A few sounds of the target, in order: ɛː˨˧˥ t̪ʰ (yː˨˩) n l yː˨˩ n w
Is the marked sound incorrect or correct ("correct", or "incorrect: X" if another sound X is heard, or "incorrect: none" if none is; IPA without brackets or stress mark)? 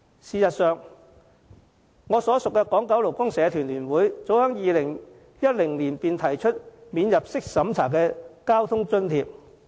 correct